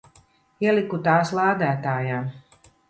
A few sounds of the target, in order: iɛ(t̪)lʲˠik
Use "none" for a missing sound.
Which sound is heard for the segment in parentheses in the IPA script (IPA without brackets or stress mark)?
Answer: none